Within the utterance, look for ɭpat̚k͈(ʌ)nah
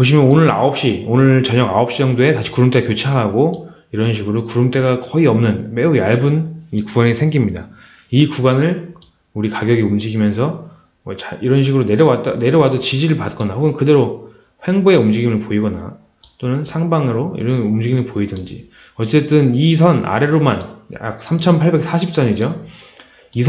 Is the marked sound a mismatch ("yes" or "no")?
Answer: no